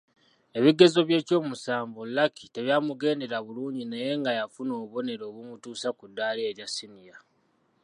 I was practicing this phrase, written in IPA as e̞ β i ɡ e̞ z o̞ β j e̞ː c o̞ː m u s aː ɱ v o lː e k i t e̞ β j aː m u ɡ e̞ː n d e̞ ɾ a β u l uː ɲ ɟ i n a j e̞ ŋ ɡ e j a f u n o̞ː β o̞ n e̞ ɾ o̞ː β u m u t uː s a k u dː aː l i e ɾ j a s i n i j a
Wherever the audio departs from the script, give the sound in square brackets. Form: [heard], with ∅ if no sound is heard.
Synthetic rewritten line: e̞ β i ɡ e̞ z o̞ β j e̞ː c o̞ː m u s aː ɱ v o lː [a] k i t e̞ β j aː m u ɡ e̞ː n d e̞ ɾ a β u l uː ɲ ɟ i n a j e̞ ŋ ɡ [a] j a f u n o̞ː β o̞ n e̞ ɾ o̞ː β u m u t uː s a k u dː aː l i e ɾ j a s i n i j a